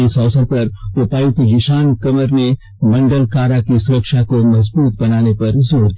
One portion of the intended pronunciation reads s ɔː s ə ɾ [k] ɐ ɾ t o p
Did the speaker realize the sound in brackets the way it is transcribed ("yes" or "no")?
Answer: no